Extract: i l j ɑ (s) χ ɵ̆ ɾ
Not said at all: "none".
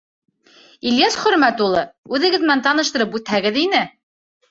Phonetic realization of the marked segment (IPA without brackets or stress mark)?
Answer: s